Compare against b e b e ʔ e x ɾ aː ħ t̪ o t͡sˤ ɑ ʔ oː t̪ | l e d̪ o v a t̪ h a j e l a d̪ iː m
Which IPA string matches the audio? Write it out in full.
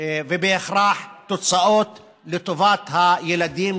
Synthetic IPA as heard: v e b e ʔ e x ɾ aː ħ t̪ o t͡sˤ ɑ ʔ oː t̪ | l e t̪ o v a t̪ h a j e l a d̪ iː m